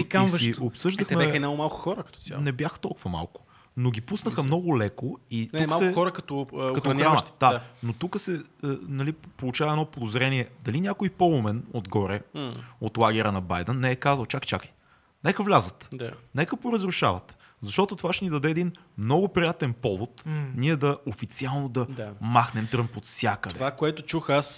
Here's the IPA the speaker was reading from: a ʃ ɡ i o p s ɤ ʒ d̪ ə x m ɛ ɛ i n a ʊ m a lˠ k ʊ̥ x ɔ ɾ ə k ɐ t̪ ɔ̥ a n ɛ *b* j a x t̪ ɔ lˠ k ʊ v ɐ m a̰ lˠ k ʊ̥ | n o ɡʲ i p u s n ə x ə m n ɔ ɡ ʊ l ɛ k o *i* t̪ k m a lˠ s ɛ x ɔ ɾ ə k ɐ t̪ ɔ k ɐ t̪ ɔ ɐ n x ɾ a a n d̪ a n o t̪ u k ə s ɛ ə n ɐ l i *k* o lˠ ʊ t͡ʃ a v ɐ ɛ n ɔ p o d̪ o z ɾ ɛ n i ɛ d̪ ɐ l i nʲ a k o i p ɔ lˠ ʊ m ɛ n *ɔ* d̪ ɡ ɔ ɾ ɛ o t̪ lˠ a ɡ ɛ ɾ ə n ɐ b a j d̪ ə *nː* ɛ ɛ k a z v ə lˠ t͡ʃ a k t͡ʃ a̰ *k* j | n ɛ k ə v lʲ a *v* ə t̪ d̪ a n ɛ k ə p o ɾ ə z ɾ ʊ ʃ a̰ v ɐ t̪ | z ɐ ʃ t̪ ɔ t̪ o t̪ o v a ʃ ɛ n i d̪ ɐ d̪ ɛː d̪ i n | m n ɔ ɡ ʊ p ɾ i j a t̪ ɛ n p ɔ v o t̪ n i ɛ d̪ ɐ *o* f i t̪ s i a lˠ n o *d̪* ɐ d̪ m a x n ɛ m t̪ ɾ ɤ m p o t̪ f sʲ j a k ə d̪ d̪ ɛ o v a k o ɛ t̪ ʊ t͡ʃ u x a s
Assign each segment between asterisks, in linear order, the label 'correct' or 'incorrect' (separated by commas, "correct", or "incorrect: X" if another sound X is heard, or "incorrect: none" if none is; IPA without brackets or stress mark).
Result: correct, correct, incorrect: p, incorrect: o, correct, correct, incorrect: z, correct, correct